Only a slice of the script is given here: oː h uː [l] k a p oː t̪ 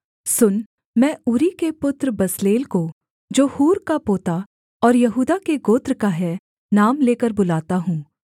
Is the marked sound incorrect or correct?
incorrect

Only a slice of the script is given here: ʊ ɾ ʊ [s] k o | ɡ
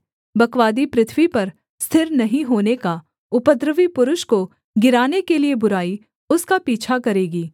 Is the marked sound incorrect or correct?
incorrect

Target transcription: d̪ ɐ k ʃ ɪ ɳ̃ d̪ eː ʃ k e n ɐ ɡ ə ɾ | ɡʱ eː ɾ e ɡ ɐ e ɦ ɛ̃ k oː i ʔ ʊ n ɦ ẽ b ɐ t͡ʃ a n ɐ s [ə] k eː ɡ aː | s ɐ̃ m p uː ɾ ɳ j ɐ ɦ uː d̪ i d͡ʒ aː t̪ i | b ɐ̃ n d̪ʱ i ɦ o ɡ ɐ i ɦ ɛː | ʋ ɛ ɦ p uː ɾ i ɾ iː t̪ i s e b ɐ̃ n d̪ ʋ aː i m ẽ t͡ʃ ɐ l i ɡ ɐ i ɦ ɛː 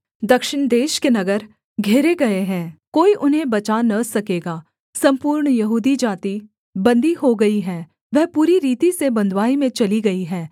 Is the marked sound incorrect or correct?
incorrect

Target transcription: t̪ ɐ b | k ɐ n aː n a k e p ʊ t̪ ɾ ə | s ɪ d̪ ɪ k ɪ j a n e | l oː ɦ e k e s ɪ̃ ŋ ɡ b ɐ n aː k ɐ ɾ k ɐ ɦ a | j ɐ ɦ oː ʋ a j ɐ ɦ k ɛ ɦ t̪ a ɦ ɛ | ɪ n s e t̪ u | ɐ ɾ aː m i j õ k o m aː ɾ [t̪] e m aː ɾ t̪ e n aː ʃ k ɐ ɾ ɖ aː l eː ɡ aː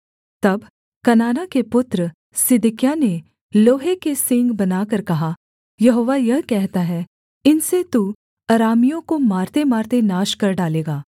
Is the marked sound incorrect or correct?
correct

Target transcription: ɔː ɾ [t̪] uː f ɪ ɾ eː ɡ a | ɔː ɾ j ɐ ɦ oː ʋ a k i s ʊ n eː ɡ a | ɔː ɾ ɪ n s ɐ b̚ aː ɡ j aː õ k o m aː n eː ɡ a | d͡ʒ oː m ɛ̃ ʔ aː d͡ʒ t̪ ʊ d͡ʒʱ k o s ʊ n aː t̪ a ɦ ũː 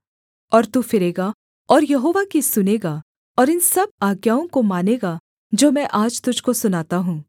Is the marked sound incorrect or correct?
correct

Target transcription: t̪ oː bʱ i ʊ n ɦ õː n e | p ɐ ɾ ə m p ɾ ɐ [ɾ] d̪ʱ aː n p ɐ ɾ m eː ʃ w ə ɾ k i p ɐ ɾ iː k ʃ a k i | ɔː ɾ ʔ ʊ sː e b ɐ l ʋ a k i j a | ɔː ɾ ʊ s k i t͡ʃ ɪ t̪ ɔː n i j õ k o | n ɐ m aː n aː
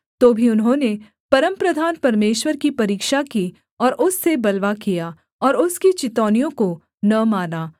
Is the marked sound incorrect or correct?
incorrect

